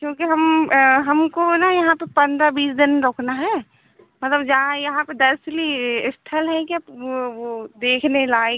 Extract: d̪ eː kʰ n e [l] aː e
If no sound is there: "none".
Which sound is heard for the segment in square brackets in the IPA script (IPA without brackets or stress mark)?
l